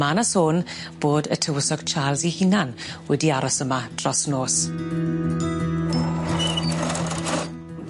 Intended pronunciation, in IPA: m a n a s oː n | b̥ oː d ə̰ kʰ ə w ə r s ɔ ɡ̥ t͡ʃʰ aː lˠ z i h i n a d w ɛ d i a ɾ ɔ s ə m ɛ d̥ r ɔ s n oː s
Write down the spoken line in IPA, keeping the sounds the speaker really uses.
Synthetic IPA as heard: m a n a s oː n | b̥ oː d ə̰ tʰ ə w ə s ɔ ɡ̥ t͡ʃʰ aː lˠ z i h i n a n w ɛ d i a ɾ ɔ s ə m a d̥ r ɔ s n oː s